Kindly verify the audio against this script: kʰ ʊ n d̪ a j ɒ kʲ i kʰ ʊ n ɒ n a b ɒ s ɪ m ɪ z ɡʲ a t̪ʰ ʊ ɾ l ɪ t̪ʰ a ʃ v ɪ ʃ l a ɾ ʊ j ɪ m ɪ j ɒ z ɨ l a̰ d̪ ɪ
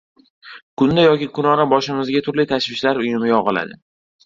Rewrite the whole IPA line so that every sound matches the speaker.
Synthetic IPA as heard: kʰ ʊ n d̪ a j ɒ kʲ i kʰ ʊ n ɒ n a b ɒ ʃ ɪ m ɪ z ɡʲ a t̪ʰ ʊ ɾ l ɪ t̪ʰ a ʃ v ɪ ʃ l a ɾ ʊ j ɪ m ɪ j ɒ ʁ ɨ l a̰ d̪ ɪ